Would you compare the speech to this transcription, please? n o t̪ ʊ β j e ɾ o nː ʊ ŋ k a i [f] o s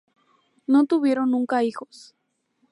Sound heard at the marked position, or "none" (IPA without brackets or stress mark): x